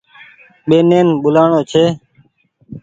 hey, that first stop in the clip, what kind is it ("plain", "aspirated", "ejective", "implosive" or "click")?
implosive